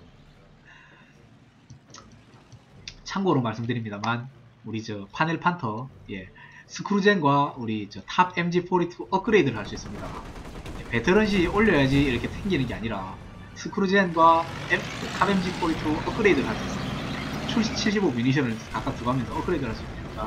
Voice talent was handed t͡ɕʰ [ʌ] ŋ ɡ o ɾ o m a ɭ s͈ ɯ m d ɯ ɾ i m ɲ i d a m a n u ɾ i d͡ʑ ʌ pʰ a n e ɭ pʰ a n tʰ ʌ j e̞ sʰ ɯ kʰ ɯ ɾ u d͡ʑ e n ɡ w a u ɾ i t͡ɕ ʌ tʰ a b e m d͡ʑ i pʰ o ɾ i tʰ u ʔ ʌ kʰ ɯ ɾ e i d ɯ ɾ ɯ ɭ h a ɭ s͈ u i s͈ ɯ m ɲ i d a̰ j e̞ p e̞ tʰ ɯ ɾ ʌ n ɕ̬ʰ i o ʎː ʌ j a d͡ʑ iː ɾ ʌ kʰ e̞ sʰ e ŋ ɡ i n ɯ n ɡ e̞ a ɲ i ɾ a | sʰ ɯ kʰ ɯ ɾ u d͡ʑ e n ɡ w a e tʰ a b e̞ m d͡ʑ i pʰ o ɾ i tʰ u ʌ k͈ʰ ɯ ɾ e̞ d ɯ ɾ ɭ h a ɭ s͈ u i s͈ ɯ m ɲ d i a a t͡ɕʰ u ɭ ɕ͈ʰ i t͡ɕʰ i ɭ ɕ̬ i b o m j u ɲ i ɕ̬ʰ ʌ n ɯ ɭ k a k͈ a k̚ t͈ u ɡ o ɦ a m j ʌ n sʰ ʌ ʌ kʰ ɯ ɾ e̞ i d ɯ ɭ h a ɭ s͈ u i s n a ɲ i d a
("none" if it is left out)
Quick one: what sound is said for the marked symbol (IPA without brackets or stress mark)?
a